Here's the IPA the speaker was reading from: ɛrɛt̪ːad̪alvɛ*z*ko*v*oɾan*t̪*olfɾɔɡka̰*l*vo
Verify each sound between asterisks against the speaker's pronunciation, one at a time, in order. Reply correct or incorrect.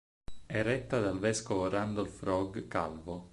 incorrect: s, correct, incorrect: d̪, correct

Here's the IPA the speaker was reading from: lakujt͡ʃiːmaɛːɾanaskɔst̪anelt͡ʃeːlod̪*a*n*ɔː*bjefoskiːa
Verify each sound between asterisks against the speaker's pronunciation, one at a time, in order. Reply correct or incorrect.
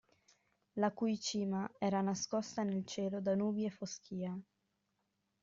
correct, incorrect: uː

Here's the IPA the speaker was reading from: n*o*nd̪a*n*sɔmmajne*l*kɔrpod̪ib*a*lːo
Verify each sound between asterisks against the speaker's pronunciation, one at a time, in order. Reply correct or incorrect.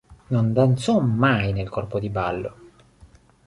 correct, correct, correct, correct

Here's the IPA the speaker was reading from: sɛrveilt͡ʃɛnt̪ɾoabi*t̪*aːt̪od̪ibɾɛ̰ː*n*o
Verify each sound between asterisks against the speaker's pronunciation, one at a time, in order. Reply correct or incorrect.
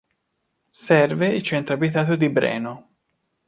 correct, correct

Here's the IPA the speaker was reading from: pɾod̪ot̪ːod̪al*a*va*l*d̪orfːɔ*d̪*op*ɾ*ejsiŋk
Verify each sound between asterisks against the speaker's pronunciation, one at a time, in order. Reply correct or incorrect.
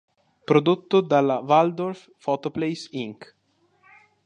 correct, correct, incorrect: t̪, incorrect: l

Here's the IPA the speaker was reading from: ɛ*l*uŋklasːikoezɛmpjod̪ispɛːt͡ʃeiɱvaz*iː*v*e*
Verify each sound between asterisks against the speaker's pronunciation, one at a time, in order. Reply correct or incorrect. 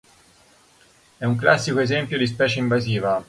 incorrect: none, correct, incorrect: a

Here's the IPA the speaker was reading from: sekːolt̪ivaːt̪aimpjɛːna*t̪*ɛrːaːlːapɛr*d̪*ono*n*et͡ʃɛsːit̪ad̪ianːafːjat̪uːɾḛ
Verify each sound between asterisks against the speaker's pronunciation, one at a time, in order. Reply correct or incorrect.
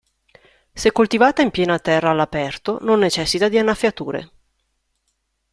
correct, incorrect: t̪, incorrect: nː

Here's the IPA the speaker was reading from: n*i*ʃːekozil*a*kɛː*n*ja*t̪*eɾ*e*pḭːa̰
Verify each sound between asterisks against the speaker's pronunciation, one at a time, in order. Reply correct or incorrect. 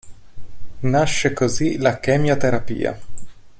incorrect: a, correct, incorrect: m, correct, incorrect: a

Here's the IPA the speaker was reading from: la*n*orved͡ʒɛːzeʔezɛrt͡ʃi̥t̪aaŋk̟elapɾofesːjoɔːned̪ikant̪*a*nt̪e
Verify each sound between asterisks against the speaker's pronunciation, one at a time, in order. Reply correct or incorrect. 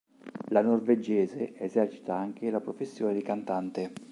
correct, correct

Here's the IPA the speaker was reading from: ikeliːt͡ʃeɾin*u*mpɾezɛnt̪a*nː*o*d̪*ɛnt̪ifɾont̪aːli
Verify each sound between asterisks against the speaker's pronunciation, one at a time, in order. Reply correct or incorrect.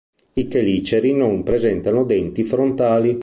incorrect: o, incorrect: n, correct

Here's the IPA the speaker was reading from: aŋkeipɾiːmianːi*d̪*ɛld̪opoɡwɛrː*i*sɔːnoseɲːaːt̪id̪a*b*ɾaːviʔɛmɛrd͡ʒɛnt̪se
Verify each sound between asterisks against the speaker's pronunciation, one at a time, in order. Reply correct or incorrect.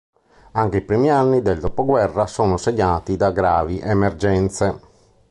correct, incorrect: a, incorrect: ɡ

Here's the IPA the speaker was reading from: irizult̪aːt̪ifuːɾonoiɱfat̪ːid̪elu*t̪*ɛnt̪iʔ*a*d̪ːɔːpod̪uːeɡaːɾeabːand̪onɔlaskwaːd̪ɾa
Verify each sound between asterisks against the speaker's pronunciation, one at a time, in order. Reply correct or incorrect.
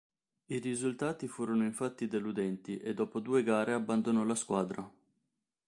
incorrect: d̪, incorrect: e

